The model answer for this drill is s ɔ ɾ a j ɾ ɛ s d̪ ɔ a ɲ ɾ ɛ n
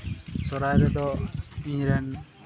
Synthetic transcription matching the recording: s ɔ ɾ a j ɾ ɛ d̪ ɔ i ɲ ɾ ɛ n